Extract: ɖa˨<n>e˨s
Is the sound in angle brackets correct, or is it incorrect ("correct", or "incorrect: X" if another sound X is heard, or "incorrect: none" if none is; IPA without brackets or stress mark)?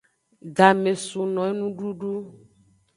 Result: incorrect: m